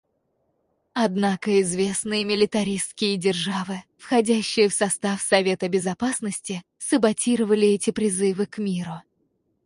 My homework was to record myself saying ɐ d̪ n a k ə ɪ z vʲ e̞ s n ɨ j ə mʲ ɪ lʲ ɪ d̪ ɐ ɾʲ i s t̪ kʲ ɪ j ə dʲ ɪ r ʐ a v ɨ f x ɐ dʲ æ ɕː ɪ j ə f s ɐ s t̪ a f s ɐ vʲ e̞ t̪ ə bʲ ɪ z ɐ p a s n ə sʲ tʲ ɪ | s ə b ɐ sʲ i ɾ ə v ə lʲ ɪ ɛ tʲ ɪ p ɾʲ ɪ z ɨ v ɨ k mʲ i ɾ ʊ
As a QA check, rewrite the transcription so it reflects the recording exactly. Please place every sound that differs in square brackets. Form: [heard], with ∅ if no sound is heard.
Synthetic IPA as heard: ɐ d̪ n a k ə ɪ z vʲ e̞ s n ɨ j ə mʲ ɪ lʲ ɪ [t̪] ɐ ɾʲ i s t̪ kʲ ɪ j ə dʲ ɪ r ʐ a v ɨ f x ɐ dʲ æ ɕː ɪ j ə f s ɐ s t̪ a f s ɐ vʲ e̞ t̪ ə bʲ ɪ z ɐ p a s n ə sʲ tʲ ɪ | s ə b ɐ [tʲ] i ɾ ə v ə lʲ ɪ ɛ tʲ ɪ p ɾʲ ɪ z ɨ v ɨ k mʲ i ɾ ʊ